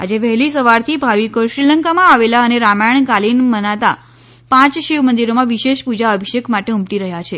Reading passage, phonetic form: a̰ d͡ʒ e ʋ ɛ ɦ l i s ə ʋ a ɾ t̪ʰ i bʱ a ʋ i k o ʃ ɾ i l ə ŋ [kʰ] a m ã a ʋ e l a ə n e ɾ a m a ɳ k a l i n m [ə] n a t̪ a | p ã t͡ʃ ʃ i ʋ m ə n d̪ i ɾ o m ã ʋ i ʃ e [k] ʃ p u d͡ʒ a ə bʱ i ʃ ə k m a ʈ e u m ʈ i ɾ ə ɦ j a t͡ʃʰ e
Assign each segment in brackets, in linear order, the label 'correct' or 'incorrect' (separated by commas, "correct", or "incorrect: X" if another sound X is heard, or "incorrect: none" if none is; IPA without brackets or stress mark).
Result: incorrect: k, correct, incorrect: none